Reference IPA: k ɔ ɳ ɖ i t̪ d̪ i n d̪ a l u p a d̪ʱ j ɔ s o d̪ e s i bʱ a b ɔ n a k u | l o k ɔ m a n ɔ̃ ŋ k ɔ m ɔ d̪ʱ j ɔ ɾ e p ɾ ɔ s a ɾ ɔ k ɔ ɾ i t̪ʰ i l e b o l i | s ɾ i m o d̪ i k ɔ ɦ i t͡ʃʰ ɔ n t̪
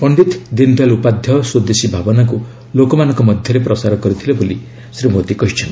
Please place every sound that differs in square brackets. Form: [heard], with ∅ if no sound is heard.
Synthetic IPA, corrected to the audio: [p] ɔ ɳ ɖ i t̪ d̪ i n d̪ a l u p a d̪ʱ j ɔ s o d̪ e s i bʱ a b ɔ n a k u | l o k ɔ m a n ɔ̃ ŋ k ɔ m ɔ d̪ʱ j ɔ ɾ e p ɾ ɔ s a ɾ ɔ k ɔ ɾ i t̪ʰ i l e b o l i | s ɾ i m o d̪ i k ɔ ɦ i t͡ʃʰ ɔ n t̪